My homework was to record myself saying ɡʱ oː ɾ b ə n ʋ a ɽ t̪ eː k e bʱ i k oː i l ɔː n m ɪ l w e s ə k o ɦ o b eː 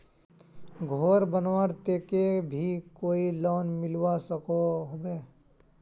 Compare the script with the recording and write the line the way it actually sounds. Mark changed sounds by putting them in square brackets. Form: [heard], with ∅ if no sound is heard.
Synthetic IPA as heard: ɡʱ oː ɾ b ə n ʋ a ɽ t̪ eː k e bʱ i k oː i l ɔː n m ɪ l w [a] s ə k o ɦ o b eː